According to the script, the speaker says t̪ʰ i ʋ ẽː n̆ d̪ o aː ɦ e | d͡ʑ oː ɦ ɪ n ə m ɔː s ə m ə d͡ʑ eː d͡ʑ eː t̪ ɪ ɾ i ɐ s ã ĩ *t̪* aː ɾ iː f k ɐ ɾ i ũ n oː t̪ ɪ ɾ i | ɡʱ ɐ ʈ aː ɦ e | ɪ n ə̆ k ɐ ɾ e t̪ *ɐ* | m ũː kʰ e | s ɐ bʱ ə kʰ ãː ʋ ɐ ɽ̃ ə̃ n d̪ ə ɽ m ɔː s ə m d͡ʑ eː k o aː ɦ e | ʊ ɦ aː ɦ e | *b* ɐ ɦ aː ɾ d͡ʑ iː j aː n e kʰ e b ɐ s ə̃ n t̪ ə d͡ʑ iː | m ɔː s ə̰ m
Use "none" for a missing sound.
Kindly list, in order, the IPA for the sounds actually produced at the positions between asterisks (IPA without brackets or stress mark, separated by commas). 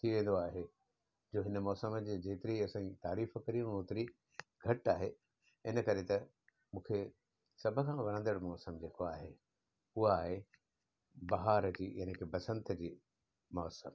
t̪, ɐ, b